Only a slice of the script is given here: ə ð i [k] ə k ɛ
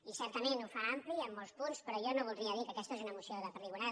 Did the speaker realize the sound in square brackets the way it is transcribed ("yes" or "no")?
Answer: yes